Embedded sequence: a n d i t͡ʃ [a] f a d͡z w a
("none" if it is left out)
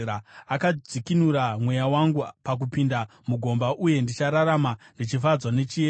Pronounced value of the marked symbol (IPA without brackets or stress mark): i